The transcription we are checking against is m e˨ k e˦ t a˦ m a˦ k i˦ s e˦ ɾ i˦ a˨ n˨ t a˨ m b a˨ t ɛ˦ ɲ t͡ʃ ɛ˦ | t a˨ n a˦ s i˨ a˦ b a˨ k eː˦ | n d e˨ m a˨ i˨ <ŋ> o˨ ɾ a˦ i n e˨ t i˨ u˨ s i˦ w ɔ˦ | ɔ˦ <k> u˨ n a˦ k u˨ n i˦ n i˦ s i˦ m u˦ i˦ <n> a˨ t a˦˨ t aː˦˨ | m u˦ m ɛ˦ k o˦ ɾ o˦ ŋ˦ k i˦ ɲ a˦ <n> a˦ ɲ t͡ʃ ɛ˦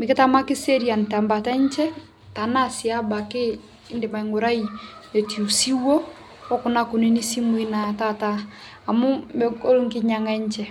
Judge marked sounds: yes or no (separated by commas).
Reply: yes, yes, yes, no